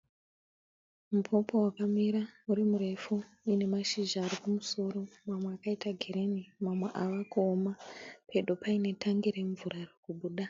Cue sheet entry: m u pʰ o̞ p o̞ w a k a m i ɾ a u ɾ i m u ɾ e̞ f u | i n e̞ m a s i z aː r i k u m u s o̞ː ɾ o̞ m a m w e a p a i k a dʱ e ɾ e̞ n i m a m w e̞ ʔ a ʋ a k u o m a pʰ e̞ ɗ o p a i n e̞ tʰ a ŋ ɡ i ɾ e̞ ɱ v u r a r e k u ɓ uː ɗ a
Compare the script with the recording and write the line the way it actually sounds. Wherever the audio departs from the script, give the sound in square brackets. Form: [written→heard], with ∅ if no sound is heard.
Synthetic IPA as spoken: m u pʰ o̞ p o̞ w a k a m i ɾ a u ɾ i m u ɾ e̞ f u | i n e̞ m a [s→ʃ] i [z→ʒ] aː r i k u m u s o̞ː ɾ o̞ m a m w e a [p→k] a i [k→t] a [dʱ→ɡʱ] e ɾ e̞ n i m a m w e̞ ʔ a ʋ a k u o m a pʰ e̞ ɗ o p a i n e̞ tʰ a ŋ ɡ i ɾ e̞ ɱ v u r a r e k u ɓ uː ɗ a